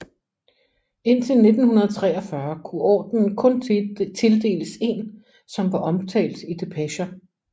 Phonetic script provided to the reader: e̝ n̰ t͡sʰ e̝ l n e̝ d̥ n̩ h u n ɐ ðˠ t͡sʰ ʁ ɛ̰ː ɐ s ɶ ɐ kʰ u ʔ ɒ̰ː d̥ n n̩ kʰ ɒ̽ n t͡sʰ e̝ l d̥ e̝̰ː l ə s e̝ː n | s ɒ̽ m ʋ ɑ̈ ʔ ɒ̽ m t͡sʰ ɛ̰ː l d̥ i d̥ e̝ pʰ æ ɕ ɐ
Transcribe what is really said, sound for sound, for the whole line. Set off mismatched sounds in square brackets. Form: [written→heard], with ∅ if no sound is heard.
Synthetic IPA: e̝ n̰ t͡sʰ e̝ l n e̝ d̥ n̩ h u n ɐ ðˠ t͡sʰ ʁ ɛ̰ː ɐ [s→f] ɶ ɐ kʰ u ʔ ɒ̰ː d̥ n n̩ kʰ [ɒ̽→ɔ̽] n t͡sʰ e̝ l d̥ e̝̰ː l ə s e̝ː n | s ɒ̽ m ʋ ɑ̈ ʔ ɒ̽ m t͡sʰ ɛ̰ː l d̥ i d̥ e̝ pʰ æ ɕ ɐ